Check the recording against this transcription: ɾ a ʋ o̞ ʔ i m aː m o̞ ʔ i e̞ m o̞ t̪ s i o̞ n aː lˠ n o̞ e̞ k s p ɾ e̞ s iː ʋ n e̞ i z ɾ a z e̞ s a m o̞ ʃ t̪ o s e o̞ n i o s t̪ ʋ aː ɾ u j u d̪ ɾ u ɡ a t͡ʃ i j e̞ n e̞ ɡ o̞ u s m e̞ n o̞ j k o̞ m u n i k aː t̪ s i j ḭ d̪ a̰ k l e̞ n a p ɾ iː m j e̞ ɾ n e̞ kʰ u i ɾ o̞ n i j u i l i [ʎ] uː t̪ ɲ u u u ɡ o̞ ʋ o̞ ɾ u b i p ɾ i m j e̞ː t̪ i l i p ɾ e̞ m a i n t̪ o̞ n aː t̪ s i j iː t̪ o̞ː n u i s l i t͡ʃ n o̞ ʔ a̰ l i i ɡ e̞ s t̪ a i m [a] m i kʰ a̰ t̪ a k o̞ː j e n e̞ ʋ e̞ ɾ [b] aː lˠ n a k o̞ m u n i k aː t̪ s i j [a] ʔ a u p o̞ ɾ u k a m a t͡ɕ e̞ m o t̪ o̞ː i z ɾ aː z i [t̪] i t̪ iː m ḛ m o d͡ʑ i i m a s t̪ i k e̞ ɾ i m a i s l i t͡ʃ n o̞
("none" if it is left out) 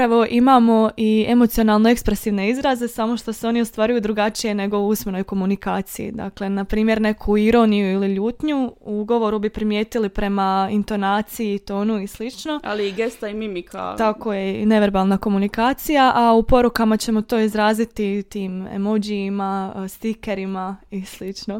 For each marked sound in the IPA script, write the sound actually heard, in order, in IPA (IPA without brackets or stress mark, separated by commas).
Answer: ʎ, i, b, a, t̪